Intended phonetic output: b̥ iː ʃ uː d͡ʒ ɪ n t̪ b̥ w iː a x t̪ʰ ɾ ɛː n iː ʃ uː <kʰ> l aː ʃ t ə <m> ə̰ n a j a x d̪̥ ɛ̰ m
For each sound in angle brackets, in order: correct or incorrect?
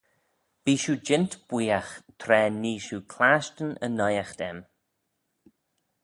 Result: correct, incorrect

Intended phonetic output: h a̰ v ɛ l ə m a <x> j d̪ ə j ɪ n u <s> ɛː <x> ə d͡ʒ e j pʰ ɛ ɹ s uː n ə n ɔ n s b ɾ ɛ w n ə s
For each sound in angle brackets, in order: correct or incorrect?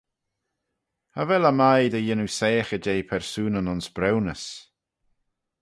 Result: incorrect, correct, correct

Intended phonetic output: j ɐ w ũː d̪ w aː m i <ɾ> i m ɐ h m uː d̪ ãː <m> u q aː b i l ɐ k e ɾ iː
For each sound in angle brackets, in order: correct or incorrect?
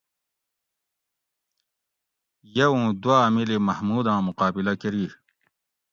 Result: incorrect, correct

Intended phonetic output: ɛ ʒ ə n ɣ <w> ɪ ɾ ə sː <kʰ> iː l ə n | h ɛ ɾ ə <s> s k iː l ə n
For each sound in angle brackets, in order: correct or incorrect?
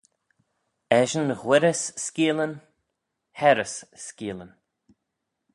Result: correct, incorrect, correct

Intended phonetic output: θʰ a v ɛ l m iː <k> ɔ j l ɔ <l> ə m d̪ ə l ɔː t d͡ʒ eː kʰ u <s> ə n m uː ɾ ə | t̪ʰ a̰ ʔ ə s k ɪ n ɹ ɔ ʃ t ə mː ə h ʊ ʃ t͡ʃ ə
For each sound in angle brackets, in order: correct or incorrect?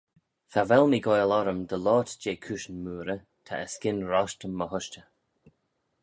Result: incorrect, incorrect, incorrect

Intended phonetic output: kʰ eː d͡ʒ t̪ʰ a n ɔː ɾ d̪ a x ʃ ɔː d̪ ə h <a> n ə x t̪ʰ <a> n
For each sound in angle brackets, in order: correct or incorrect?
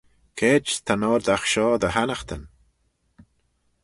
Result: correct, incorrect

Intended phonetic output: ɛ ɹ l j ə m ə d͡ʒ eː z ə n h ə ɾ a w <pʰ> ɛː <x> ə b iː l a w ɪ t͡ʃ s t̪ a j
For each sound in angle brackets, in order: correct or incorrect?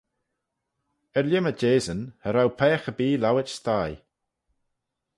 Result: correct, correct

